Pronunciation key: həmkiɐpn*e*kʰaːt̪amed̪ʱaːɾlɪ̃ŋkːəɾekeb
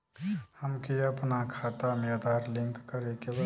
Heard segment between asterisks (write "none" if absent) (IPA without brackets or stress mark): a